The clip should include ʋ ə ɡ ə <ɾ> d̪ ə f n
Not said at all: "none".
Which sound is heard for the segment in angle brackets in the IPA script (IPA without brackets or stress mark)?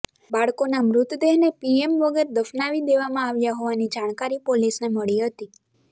ɾ